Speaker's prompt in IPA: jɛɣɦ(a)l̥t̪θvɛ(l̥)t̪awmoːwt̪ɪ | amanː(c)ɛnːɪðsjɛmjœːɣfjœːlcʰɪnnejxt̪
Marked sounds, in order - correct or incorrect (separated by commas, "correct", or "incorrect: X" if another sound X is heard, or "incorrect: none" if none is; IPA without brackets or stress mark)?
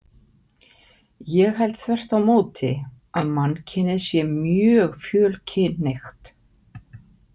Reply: incorrect: ɛ, incorrect: r̥, incorrect: cʰ